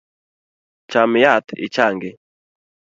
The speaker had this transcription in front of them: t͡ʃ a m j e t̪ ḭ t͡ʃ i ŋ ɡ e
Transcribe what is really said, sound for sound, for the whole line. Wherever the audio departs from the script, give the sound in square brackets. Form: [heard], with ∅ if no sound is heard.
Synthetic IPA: t͡ʃ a m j [a] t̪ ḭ t͡ʃ [a] ŋ ɡ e